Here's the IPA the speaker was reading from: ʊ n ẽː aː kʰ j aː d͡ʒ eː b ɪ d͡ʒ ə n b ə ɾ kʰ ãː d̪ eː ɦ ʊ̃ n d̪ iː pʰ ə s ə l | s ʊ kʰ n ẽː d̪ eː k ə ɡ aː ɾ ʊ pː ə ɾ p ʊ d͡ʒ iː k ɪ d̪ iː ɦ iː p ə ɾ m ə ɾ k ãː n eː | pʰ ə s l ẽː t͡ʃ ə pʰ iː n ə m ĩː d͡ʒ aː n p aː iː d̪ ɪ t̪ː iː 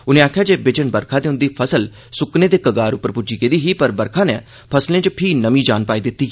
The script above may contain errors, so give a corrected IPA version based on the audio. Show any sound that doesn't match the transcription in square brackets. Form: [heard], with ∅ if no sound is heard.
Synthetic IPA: ʊ n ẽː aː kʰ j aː d͡ʒ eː b ɪ d͡ʒ ə n b ə ɾ kʰ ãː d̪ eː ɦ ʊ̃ n d̪ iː pʰ ə s ə l | s ʊ [k] n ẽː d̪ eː k ə ɡ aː ɾ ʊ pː ə ɾ p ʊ d͡ʒ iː k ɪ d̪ iː ɦ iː p ə ɾ [b] ə ɾ [kʰ] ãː n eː | pʰ ə s l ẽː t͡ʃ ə pʰ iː n ə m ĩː d͡ʒ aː n p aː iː d̪ ɪ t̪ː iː

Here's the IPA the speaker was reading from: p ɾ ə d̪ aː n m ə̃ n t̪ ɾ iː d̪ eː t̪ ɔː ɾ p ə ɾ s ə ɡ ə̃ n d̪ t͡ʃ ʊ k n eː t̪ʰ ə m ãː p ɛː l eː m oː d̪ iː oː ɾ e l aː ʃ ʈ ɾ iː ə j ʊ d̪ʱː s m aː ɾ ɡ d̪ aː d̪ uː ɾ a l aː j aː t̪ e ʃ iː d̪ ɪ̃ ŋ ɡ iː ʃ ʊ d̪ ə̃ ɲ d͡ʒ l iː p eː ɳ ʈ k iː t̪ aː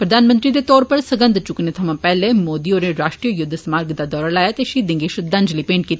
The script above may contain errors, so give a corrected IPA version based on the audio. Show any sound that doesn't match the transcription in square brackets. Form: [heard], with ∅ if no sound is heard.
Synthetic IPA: p ɾ ə d̪ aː n m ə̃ n t̪ ɾ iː d̪ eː t̪ ɔː ɾ p ə ɾ s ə ɡ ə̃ n d̪ t͡ʃ ʊ k n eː t̪ʰ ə m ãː p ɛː l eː m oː d̪ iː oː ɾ e [ɾ] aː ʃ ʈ ɾ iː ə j ʊ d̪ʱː s m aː ɾ ɡ d̪ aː d̪ [ɔː] ɾ a l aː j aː t̪ e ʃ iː d̪ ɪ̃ ŋ ɡ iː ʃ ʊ d̪ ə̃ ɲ d͡ʒ l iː p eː ɳ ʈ k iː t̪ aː

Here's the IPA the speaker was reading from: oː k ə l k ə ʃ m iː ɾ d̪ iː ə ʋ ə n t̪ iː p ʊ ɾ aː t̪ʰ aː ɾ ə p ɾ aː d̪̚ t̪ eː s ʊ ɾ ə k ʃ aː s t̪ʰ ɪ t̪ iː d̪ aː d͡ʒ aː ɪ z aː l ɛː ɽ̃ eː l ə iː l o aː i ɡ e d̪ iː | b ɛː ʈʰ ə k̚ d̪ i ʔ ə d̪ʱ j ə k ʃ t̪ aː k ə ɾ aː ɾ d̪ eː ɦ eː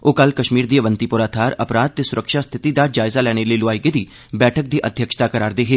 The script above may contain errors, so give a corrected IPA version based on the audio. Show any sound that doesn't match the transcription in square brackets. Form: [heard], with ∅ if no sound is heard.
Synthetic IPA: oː k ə l k ə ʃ m iː ɾ d̪ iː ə ʋ ə n t̪ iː p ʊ ɾ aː t̪ʰ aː ɾ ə p ɾ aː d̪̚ t̪ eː s ʊ ɾ ə k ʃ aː s t̪ʰ ɪ t̪ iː d̪ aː d͡ʒ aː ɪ z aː l ɛː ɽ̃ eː l ə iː l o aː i ɡ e d̪ iː | b ɛː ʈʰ ə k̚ d̪ [iː] ʔ ə d̪ʱ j ə k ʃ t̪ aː k ə ɾ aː ɾ d̪ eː ɦ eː

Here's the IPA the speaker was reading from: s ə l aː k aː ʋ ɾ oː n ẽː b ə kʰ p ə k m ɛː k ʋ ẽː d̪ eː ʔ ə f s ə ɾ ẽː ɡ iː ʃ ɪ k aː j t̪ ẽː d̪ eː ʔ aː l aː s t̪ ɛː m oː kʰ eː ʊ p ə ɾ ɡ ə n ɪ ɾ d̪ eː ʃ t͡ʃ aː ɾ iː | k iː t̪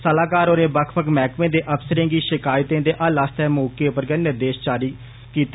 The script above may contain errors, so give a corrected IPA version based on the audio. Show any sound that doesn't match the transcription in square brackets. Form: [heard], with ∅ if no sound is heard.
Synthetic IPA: s ə l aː k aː [∅] ɾ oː n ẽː b ə kʰ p ə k m ɛː k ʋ ẽː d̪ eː ʔ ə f s ə ɾ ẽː ɡ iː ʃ ɪ k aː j t̪ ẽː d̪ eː ʔ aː l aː s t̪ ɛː m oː [k] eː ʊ p ə ɾ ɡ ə n ɪ ɾ d̪ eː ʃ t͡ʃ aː ɾ iː | k iː t̪

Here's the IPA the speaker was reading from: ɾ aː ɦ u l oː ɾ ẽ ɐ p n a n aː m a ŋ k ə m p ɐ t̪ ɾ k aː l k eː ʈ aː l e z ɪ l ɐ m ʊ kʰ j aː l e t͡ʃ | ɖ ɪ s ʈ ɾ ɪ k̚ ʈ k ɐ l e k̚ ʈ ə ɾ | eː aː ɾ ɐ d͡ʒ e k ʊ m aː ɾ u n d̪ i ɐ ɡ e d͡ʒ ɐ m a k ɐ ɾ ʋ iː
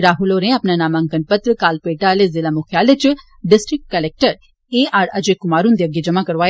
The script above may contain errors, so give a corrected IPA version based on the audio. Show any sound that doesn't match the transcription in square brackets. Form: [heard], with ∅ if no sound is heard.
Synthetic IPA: ɾ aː ɦ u l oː ɾ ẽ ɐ p n a n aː m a ŋ k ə [n] p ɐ t̪ ɾ k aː l [p] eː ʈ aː l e z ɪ l [a] m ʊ kʰ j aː l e t͡ʃ | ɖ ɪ s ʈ ɾ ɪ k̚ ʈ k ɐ l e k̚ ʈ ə ɾ | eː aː ɾ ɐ d͡ʒ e k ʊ m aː ɾ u n d̪ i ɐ ɡ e d͡ʒ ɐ m a k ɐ ɾ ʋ [aː]

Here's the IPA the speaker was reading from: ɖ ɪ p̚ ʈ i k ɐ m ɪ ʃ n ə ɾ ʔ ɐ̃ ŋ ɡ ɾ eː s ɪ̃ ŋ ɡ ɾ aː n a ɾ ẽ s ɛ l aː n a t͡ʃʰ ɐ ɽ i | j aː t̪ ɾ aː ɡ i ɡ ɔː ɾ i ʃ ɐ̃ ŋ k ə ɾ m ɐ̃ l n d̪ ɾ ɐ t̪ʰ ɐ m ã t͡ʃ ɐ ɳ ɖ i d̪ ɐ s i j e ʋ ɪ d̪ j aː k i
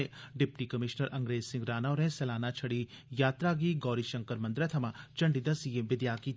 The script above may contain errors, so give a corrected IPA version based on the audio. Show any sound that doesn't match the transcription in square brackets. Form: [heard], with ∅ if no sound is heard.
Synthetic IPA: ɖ ɪ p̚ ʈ i k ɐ m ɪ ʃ n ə ɾ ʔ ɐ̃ ŋ ɡ ɾ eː s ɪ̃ ŋ ɡ ɾ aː n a ɾ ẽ s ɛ l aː n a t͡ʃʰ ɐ ɽ i | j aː t̪ ɾ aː ɡ i ɡ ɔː ɾ i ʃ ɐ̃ ŋ k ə ɾ m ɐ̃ [∅] n d̪ ɾ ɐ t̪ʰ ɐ m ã t͡ʃ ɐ ɳ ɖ i d̪ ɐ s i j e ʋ ɪ d̪ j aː k i

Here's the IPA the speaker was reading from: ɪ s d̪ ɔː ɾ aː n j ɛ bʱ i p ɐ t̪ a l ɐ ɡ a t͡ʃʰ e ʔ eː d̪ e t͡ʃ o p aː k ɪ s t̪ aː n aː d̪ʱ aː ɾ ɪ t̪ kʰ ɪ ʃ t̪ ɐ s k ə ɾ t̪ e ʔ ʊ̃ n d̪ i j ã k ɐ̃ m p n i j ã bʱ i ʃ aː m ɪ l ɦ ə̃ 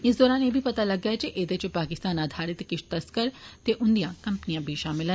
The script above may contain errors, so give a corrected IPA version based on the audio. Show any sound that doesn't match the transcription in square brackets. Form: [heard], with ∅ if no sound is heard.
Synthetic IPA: ɪ s d̪ ɔː ɾ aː n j [e] bʱ i p ɐ t̪ a l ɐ ɡ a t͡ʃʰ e ʔ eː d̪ e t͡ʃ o p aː k ɪ s t̪ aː n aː d̪ʱ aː ɾ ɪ t̪ [k] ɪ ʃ t̪ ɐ s k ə ɾ t̪ e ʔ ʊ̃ n d̪ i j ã k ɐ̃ m p n i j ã bʱ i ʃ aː m ɪ l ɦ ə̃

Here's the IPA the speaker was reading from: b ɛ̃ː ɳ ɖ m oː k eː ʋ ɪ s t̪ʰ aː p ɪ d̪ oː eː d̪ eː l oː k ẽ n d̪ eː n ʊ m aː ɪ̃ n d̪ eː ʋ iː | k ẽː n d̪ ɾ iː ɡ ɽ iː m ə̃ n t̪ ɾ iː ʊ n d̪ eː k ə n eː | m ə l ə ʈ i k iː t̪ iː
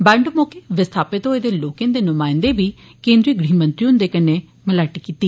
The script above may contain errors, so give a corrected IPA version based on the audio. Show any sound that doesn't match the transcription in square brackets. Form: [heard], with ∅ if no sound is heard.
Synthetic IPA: b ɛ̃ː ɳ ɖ m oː k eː ʋ ɪ s t̪ʰ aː p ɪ [t̪] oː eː d̪ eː l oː k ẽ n d̪ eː n ʊ m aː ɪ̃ n d̪ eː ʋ iː | k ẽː n d̪ ɾ iː ɡ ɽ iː m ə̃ n t̪ ɾ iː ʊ n d̪ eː k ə n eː | m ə l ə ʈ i k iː t̪ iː

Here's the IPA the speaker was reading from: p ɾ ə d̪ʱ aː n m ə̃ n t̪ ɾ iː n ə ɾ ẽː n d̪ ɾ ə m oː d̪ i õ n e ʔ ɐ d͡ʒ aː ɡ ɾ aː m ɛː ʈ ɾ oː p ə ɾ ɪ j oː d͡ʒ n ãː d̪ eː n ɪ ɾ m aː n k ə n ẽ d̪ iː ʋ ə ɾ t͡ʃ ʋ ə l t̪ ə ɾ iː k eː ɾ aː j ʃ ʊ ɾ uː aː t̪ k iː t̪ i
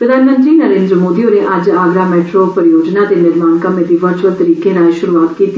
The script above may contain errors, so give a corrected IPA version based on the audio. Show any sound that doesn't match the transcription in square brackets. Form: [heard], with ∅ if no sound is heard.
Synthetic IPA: p ɾ ə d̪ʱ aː n m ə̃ n t̪ ɾ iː n ə ɾ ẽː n d̪ ɾ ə m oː d̪ i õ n e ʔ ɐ d͡ʒ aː ɡ ɾ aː m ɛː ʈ ɾ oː p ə ɾ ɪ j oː d͡ʒ n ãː d̪ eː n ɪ ɾ m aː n k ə [m] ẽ d̪ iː ʋ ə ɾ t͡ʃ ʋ ə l t̪ ə ɾ iː k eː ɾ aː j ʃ ʊ ɾ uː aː t̪ k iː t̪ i

